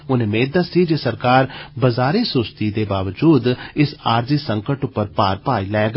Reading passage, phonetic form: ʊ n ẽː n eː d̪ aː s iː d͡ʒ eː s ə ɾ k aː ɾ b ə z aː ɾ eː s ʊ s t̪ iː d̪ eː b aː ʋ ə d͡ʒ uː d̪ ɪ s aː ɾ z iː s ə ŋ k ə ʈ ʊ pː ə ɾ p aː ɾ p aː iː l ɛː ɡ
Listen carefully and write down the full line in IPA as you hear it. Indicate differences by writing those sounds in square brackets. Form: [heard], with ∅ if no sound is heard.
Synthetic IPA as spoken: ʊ n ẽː [m] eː d̪ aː s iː d͡ʒ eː s ə ɾ k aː ɾ b ə z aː ɾ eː s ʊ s t̪ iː d̪ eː b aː ʋ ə d͡ʒ uː d̪ ɪ s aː ɾ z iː s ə ŋ k ə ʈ ʊ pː ə ɾ p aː ɾ p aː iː l ɛː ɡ